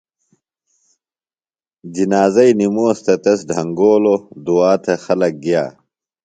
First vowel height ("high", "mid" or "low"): high